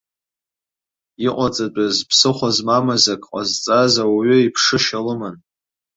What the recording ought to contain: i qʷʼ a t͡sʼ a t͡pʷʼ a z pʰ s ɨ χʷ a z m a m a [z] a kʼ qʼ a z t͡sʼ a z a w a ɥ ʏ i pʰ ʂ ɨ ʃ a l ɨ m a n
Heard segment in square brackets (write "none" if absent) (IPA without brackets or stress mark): z